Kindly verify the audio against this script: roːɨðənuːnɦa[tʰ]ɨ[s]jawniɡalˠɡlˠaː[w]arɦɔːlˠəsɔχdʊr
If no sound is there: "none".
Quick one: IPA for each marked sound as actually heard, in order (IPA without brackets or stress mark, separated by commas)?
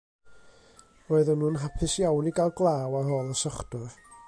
pʰ, s, w